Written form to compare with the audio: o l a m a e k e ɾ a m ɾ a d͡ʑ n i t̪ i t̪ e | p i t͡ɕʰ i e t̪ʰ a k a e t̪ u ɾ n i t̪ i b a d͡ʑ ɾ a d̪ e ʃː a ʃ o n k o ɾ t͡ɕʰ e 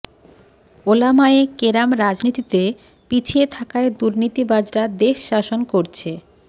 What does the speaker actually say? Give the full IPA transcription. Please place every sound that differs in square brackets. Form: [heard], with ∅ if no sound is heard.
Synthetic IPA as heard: o l a m a e k e ɾ a m ɾ a d͡ʑ n i t̪ i t̪ e | p i t͡ɕʰ i e t̪ʰ a k a e [d̪] u ɾ n i t̪ i b a d͡ʑ ɾ a d̪ e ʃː a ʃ o n k o ɾ t͡ɕʰ e

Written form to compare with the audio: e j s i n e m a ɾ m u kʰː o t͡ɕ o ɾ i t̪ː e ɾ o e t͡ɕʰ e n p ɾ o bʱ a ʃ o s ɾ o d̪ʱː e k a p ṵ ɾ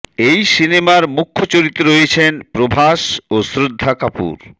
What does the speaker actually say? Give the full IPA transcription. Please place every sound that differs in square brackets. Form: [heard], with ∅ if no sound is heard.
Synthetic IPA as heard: e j s i n e m a ɾ m u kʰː o t͡ɕ o ɾ i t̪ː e ɾ o e t͡ɕʰ e n p ɾ o bʱ a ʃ o s ɾ o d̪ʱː [a] k a p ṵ ɾ

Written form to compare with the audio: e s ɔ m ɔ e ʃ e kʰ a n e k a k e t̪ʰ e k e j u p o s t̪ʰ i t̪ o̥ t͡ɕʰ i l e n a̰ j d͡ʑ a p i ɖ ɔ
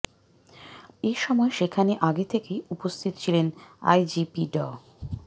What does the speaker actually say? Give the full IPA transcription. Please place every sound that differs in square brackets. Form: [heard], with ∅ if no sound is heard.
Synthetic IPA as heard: e [ʃ] ɔ m ɔ e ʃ e kʰ a n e [ʔ] a [ɡ] e t̪ʰ e k e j u p o s t̪ʰ i t̪ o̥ t͡ɕʰ i l e n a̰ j d͡ʑ [i] p i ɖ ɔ

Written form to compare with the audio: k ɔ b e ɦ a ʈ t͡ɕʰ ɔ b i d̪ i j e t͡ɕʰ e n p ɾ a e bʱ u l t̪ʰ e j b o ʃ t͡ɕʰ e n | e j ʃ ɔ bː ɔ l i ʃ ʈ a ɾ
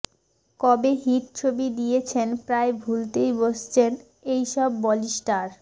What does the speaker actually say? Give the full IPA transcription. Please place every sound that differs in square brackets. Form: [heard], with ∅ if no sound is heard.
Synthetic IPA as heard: k ɔ b e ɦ [i] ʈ t͡ɕʰ [o] b i d̪ i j e t͡ɕʰ e n p ɾ a e bʱ u l [t̪] e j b o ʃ t͡ɕʰ e n | e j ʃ ɔ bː ɔ l i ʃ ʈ a ɾ

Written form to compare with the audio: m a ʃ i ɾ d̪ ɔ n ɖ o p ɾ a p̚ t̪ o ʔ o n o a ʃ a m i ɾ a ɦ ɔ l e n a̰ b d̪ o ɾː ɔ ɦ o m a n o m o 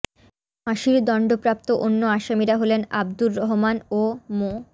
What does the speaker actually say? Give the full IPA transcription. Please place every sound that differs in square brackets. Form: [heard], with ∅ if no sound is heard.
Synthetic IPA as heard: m a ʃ i ɾ d̪ ɔ [ɳ] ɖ o p ɾ a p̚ t̪ o ʔ o [nː] o a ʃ a m i ɾ a ɦ [o] l e n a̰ b d̪ [u] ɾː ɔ ɦ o m a n o m o

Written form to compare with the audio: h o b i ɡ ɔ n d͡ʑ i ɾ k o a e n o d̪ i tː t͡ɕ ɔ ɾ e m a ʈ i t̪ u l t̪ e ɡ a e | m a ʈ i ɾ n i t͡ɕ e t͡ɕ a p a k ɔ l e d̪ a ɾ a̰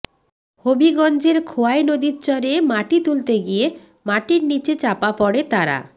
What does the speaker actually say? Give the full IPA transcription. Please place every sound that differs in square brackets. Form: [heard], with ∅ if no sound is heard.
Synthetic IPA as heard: h o b i ɡ ɔ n d͡ʑ [e] ɾ [kʰ] o a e n o d̪ i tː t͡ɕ ɔ ɾ e m a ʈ i t̪ u l t̪ e ɡ [i] e | m a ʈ i ɾ n i t͡ɕ e t͡ɕ a p a [p] ɔ [ɽ] e [t̪] a ɾ a̰

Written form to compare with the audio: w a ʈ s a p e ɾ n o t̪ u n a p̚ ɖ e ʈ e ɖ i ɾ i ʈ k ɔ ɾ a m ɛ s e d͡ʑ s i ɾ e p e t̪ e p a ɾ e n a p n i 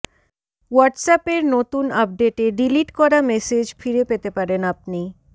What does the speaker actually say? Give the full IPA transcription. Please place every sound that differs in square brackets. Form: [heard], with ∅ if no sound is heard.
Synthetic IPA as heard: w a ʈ s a p e ɾ n o t̪ u n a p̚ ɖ e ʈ e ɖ i [l] i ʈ k ɔ ɾ a m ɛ s e d͡ʑ [f] i ɾ e p e t̪ e p a ɾ e n a p n i

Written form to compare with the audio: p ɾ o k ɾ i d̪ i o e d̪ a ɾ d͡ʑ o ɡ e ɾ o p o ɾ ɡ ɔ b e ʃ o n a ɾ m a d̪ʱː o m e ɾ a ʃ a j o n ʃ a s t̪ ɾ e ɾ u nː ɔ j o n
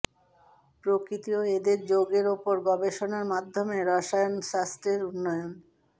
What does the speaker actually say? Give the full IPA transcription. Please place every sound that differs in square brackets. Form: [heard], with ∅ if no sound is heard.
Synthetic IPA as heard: p ɾ o k ɾ i [t̪] i o e d̪ [e] ɾ d͡ʑ o ɡ e ɾ o p o ɾ ɡ ɔ b e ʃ o n a ɾ m a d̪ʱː o m e ɾ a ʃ a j o n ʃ a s t̪ ɾ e ɾ u nː ɔ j o n

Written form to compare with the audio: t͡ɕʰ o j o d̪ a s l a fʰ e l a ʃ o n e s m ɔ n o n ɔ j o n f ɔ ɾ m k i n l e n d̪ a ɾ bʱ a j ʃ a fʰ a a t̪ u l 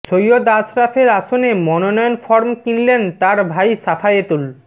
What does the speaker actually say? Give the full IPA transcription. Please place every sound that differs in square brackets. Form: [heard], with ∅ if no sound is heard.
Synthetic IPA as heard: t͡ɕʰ o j o d̪ a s [ɾ] a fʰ e [ɾ] a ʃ o n e [∅] m ɔ n o n ɔ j o n f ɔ ɾ m k i n l e n [t̪] a ɾ bʱ a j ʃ a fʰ a [e] t̪ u l

